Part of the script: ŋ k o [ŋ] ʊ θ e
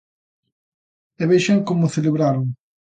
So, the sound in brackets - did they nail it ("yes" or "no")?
no